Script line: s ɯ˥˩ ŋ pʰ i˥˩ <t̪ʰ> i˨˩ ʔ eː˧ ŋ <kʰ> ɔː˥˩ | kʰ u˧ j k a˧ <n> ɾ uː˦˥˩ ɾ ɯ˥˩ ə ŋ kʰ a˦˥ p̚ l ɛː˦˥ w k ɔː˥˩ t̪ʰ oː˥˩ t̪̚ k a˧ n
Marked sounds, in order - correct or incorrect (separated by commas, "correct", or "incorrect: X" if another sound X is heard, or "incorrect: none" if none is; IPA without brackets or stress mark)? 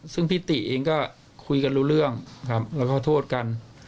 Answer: incorrect: t̪, incorrect: k, correct